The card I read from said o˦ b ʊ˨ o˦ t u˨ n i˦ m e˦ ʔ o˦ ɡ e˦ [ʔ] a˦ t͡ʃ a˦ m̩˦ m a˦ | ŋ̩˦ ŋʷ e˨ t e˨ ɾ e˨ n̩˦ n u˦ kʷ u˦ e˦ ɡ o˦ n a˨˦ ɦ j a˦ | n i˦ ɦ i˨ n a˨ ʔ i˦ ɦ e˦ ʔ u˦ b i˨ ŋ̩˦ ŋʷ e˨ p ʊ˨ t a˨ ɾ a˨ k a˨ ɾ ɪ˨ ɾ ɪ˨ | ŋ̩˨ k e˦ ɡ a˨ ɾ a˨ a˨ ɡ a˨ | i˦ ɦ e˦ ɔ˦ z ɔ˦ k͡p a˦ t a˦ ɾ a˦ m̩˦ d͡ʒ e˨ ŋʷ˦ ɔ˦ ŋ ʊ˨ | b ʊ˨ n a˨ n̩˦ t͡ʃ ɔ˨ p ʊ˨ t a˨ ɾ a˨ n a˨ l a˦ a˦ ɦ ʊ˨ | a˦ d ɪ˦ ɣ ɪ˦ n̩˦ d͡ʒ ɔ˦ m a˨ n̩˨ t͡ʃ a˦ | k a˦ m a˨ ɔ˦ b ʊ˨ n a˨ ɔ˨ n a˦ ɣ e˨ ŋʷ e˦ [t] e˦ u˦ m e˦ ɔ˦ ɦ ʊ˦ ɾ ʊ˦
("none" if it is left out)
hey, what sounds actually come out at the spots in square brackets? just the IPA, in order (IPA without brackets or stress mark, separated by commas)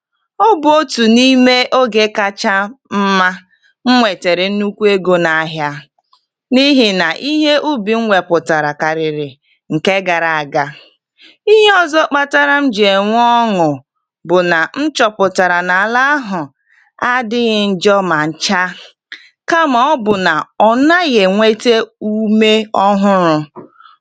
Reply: k, t